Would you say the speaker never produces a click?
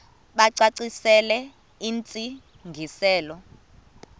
no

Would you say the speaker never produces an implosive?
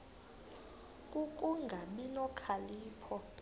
no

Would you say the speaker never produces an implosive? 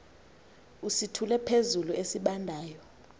no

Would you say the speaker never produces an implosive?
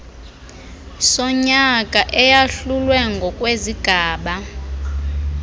no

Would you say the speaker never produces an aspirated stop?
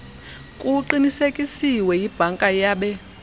yes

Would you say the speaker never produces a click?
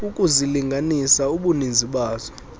yes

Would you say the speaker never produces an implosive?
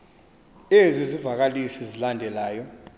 yes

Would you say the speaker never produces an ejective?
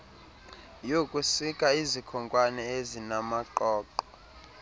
no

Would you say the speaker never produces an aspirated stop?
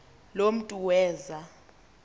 yes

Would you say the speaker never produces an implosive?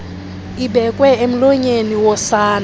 yes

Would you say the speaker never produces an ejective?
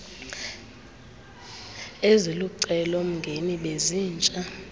no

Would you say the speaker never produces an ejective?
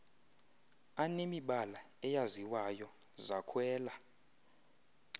yes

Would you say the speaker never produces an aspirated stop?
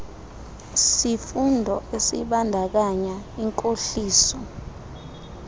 yes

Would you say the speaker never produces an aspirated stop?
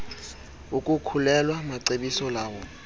no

